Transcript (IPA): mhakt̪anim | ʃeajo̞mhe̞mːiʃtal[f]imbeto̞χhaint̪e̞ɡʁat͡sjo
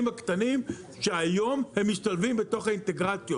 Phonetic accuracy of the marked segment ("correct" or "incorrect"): incorrect